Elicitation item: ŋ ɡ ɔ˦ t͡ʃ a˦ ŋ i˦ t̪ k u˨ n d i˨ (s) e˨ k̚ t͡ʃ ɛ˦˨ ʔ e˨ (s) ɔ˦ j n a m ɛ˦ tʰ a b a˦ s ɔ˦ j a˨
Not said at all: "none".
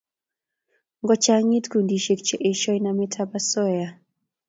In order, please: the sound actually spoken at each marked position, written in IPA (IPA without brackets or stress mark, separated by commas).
ʃ, ʃ